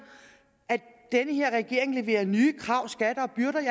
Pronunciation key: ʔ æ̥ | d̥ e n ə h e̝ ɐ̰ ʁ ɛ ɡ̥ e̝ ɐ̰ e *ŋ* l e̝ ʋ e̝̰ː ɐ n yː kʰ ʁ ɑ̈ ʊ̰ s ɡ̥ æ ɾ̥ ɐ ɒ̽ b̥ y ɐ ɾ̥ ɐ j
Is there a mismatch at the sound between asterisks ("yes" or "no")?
no